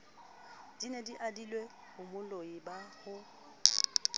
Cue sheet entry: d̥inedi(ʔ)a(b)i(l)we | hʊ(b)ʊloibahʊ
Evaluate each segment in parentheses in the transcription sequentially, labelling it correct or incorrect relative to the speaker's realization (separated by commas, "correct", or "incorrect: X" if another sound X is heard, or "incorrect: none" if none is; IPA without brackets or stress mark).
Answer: correct, incorrect: d, correct, incorrect: m